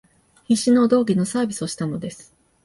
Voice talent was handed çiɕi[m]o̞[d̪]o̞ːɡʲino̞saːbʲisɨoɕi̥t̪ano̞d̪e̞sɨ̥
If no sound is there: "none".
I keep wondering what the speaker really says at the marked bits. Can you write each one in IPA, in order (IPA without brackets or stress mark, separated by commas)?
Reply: n, d̪